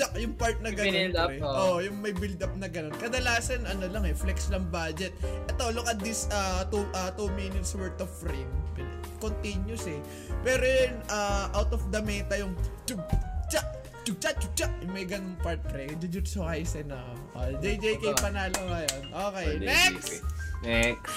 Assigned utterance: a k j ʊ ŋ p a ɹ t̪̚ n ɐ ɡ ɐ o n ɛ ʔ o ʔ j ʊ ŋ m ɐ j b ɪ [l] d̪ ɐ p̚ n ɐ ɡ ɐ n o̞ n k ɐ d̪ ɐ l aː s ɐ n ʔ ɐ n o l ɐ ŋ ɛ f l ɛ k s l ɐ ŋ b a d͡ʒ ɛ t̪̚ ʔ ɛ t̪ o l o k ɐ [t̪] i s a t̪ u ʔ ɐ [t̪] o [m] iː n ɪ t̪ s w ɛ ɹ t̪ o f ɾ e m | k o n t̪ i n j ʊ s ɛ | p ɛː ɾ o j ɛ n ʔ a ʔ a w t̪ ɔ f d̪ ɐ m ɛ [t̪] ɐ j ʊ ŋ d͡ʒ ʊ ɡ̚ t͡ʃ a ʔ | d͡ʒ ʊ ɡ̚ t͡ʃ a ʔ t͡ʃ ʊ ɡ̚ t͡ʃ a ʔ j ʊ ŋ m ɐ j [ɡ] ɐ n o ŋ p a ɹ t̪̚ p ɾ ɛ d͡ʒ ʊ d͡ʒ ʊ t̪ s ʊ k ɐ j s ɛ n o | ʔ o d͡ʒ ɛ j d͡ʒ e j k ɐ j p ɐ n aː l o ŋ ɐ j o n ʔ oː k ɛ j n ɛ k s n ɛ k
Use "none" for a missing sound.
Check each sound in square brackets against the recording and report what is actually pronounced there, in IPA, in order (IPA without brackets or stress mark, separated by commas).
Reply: l, d̪, t̪, m, t̪, ɡ